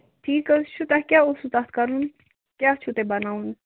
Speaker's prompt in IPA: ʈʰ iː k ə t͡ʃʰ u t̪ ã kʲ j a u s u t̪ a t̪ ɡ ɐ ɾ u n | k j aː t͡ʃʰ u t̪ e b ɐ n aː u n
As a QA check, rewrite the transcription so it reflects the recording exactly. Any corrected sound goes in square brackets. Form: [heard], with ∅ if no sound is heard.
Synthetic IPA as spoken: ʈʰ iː k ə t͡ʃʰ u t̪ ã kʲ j a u s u t̪ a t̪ [k] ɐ ɾ u n | k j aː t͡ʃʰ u t̪ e b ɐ n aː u n